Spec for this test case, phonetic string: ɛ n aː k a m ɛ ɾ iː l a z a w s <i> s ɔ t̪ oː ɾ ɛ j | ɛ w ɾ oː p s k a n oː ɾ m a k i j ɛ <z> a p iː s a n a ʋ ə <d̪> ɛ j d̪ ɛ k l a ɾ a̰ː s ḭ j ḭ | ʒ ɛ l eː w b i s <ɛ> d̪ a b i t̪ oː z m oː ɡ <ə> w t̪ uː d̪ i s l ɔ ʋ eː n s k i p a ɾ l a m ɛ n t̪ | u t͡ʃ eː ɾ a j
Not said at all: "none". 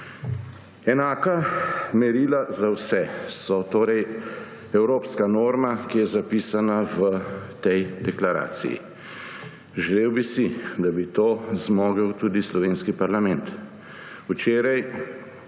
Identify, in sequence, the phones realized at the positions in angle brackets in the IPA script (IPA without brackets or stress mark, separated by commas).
ɛ, z, t̪, i, ə